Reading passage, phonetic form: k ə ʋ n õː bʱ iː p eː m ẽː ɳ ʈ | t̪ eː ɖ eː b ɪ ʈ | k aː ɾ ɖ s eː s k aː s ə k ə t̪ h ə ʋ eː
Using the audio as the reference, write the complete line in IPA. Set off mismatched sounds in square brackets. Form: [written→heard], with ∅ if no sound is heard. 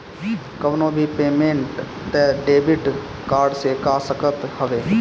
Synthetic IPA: k ə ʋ n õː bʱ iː p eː m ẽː ɳ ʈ | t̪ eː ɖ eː b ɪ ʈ | k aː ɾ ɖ s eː [s→∅] k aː s ə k ə t̪ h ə ʋ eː

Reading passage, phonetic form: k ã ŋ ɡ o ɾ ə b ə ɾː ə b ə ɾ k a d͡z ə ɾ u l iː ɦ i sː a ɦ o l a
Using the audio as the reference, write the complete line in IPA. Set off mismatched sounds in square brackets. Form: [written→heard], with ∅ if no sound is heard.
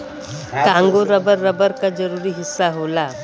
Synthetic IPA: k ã ŋ ɡ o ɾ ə b ə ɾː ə b ə ɾ k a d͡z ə ɾ u [l→ɾ] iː ɦ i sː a ɦ o l a

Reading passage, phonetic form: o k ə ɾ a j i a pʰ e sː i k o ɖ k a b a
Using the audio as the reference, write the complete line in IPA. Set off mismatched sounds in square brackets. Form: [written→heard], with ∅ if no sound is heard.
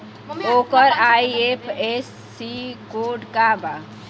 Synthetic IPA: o k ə ɾ a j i [a→e] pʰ e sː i k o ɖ k a b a

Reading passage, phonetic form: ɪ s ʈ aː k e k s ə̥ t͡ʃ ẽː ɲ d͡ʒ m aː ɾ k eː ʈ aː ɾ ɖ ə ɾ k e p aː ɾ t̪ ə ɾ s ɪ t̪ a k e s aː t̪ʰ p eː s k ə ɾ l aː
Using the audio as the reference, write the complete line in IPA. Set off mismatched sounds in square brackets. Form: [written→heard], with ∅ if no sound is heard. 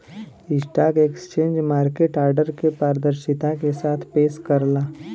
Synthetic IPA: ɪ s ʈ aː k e k s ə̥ t͡ʃ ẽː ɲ d͡ʒ m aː ɾ k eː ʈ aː ɾ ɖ ə ɾ k e p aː ɾ [t̪→d̪] ə ɾ [s→ʃ] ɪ t̪ a k e s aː t̪ʰ p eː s k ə ɾ l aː

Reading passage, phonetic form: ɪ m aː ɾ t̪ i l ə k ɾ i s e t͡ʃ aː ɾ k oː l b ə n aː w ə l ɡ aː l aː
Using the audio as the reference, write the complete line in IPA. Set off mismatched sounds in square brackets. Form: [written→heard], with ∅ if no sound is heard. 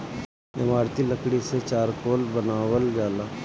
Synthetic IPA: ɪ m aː ɾ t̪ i l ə k [ɾ→ɽ] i s e t͡ʃ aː ɾ k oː l b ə n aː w ə l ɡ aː l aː

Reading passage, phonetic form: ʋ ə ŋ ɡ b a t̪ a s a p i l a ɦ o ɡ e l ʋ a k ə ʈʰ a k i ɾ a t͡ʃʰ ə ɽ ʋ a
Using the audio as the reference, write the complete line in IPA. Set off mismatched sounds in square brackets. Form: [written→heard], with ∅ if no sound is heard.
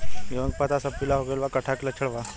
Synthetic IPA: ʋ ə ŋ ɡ [b→p] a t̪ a s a p i l a ɦ o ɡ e l ʋ a k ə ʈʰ a k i [ɾ→l] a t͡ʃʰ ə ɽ ʋ a

